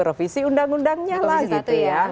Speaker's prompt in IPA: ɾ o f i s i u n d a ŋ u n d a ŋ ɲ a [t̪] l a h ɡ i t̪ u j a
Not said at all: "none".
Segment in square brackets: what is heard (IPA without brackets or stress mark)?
none